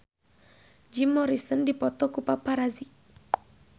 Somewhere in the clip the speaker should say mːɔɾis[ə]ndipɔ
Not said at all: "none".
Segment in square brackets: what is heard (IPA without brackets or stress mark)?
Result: ə